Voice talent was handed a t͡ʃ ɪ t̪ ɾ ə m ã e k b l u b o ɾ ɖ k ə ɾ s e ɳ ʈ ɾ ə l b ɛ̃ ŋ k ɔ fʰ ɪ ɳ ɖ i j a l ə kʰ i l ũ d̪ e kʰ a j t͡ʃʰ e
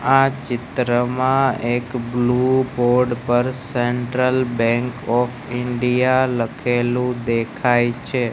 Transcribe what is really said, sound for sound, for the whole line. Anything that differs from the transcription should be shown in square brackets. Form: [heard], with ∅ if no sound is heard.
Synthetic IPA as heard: a t͡ʃ ɪ t̪ ɾ ə m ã e k b l u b o ɾ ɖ [p] ə ɾ s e ɳ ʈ ɾ ə l b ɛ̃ ŋ k ɔ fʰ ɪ ɳ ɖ i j a l ə kʰ [e] l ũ d̪ e kʰ a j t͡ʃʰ e